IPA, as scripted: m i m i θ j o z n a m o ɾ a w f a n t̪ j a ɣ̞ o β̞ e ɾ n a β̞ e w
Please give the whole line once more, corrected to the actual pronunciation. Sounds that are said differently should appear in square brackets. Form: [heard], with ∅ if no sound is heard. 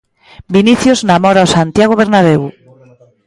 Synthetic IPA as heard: [b] i [n] i θ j o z n a m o ɾ a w [s] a n t̪ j a ɣ̞ o β̞ e ɾ n a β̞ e w